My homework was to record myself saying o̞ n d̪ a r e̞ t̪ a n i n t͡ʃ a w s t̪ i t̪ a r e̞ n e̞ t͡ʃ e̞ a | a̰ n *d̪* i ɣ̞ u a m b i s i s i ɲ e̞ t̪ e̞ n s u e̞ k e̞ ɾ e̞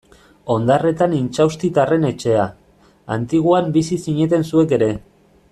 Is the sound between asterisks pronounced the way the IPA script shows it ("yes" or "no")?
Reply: no